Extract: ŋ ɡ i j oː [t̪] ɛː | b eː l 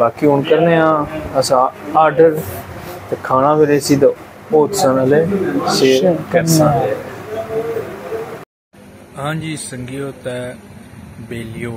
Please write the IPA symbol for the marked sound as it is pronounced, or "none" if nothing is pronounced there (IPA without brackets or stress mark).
t̪